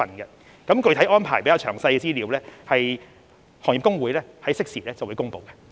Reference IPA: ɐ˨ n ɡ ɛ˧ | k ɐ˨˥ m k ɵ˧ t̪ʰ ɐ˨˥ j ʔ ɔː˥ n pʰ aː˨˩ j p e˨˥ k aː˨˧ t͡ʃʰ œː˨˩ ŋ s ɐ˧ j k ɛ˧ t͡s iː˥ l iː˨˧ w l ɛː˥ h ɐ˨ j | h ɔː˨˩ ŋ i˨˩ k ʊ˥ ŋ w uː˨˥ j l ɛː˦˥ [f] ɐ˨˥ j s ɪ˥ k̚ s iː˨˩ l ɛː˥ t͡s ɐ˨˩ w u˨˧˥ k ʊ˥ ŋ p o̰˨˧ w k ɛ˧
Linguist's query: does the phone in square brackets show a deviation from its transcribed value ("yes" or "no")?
yes